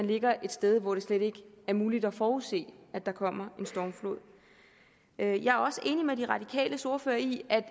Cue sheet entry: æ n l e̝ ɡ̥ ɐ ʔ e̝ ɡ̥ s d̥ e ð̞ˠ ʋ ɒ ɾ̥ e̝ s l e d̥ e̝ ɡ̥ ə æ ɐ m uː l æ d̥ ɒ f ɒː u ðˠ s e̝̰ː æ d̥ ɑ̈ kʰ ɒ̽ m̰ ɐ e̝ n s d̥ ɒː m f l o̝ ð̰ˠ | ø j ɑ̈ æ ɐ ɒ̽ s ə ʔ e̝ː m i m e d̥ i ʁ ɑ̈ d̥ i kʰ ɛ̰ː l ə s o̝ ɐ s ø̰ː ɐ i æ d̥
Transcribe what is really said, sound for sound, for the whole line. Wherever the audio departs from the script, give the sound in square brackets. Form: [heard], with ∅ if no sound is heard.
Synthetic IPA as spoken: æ n l e̝ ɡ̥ ɐ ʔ e̝ [d̥] s d̥ e ð̞ˠ ʋ ɒ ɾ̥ e̝ s l e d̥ e̝ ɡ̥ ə æ ɐ m uː l [i] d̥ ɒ f ɒː u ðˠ s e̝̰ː æ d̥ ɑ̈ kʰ ɒ̽ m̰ ɐ e̝ n s d̥ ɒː m f l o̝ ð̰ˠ | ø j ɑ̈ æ ɐ ɒ̽ s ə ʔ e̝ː [n] i m e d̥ i ʁ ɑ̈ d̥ i kʰ ɛ̰ː l ə s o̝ ɐ [f] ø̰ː ɐ i æ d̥